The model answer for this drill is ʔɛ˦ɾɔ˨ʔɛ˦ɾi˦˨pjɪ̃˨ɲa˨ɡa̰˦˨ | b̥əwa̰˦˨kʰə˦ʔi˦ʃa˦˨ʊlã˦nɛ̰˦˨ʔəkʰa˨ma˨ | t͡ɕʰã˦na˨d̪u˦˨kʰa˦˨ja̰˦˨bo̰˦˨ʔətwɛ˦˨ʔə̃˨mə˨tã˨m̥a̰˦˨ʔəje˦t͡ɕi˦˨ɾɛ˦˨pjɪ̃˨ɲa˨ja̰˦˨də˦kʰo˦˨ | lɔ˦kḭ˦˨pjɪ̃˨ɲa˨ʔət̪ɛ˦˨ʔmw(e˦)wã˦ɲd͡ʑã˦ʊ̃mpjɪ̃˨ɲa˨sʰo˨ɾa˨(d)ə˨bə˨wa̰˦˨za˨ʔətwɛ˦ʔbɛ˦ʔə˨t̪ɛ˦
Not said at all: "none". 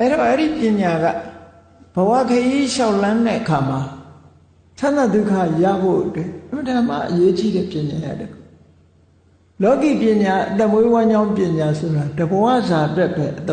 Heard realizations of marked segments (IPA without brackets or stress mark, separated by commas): e˦, d